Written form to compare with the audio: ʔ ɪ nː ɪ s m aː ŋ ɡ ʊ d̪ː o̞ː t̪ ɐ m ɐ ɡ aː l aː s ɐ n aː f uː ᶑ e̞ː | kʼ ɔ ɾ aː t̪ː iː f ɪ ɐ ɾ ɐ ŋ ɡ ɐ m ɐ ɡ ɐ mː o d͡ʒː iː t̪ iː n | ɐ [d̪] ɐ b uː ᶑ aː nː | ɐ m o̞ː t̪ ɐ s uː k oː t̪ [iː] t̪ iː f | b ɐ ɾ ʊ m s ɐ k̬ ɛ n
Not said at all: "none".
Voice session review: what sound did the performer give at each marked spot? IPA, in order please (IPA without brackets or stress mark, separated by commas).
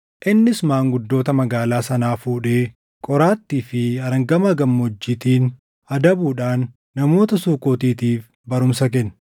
d̪, iː